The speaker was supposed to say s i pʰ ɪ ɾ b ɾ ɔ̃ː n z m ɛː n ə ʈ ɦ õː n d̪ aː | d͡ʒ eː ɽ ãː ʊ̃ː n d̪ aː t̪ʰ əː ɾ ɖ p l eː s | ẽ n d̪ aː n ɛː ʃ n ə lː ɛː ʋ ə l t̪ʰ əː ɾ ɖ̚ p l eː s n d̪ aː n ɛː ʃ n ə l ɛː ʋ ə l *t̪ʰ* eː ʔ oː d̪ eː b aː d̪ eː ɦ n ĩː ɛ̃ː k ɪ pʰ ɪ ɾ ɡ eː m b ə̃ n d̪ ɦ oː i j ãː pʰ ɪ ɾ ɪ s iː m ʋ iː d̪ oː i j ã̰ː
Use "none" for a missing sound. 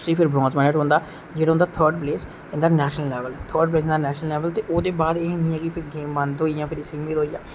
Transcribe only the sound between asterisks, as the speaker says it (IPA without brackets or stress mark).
t̪